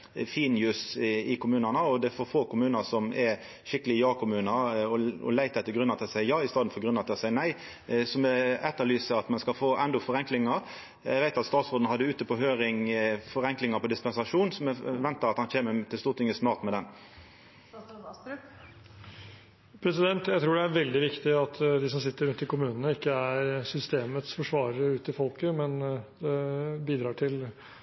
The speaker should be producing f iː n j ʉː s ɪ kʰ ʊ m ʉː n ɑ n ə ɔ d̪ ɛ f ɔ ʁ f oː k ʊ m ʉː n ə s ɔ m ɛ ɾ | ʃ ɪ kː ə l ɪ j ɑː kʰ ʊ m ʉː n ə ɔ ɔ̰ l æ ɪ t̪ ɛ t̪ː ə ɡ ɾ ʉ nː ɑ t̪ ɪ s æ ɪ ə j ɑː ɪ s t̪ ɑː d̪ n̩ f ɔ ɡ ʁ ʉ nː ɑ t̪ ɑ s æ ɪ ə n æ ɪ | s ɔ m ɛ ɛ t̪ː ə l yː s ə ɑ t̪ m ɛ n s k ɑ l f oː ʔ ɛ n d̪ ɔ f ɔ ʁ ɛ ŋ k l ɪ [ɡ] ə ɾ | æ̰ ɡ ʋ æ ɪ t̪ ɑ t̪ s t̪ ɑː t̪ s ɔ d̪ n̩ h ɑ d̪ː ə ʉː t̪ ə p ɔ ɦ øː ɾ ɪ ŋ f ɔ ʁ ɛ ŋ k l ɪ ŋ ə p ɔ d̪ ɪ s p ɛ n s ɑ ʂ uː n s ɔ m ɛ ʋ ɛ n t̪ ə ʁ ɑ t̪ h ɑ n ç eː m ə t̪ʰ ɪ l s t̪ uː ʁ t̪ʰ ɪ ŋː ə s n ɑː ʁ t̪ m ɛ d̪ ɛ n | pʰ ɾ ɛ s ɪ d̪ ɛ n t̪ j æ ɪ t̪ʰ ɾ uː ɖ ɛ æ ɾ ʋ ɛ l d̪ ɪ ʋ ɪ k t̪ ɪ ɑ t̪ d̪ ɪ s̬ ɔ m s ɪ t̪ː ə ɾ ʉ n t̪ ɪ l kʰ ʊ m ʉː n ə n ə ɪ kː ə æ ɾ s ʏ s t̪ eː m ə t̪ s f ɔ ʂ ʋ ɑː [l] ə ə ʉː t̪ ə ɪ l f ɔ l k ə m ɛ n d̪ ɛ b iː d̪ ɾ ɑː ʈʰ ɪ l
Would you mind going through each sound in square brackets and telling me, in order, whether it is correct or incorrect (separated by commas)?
incorrect, incorrect